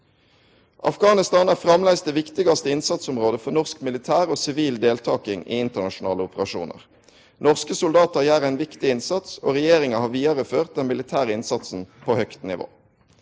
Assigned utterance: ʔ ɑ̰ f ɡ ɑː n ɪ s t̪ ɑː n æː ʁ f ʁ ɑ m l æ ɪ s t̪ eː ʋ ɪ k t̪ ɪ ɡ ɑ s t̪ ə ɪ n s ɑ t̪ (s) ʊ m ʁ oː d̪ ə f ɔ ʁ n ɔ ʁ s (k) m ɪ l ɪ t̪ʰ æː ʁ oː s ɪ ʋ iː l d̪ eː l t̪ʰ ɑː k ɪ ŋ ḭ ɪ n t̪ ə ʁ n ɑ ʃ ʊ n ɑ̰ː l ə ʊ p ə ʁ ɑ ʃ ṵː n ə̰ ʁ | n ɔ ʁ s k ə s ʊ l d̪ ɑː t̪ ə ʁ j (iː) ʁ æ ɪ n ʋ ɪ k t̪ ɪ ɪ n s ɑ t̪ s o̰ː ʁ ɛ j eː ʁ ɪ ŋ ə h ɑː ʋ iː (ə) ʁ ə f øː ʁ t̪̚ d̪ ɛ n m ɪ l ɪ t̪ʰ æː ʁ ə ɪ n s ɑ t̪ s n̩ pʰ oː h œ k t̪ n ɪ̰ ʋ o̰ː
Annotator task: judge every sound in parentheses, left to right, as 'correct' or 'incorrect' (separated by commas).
correct, correct, incorrect, incorrect